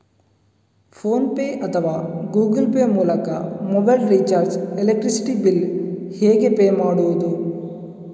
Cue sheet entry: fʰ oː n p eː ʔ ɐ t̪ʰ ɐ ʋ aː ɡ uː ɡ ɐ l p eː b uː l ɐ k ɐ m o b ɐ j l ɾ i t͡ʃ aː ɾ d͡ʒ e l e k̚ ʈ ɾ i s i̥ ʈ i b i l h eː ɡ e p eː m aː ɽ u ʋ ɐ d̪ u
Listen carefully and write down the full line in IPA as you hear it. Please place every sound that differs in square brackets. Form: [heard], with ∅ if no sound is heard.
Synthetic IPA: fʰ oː n p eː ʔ ɐ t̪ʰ ɐ ʋ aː ɡ uː ɡ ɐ l p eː [m] uː l ɐ k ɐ m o b ɐ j l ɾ i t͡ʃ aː ɾ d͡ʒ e l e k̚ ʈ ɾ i s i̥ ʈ i b i l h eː ɡ e p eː m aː ɽ u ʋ ɐ d̪ u